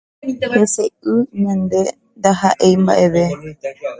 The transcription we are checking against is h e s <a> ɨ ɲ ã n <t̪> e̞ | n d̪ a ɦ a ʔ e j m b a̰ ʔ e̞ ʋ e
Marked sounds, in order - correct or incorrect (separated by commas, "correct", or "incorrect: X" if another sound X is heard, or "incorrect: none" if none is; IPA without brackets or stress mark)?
incorrect: e, incorrect: d̪